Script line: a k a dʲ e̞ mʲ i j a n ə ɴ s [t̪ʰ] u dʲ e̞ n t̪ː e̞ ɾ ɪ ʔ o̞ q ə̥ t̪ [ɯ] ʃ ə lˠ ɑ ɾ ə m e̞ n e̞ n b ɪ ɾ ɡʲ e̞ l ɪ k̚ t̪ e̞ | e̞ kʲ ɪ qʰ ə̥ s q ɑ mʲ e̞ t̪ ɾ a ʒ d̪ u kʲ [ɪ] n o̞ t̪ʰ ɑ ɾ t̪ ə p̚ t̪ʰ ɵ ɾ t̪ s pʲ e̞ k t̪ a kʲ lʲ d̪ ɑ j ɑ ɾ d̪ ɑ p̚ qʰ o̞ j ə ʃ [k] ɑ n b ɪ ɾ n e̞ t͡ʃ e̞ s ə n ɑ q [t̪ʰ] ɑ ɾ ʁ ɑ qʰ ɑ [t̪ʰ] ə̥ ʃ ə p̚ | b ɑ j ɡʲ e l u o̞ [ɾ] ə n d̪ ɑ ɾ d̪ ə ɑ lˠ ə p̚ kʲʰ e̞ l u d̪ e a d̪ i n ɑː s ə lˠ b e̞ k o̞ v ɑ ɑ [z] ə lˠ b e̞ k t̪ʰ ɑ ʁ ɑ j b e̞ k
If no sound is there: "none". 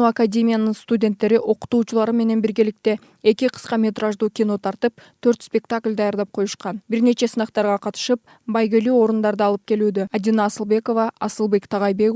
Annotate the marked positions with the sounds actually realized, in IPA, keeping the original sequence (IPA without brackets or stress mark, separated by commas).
t̪, u, i, q, t̪, t̪, ɾ, s